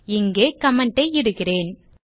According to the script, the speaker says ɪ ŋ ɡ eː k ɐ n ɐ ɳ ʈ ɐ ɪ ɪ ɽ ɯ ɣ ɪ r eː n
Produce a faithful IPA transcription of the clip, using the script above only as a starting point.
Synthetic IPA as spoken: ɪ ŋ ɡ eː k ɐ m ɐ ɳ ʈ ɐ ɪ ɪ ɽ ɯ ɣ ɪ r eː n